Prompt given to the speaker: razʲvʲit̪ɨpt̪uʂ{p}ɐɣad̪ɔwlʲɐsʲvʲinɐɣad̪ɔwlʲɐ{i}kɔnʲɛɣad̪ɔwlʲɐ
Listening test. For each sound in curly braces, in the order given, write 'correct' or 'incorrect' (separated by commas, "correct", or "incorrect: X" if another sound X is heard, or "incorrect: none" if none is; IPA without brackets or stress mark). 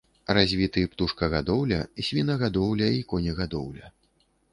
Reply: incorrect: k, correct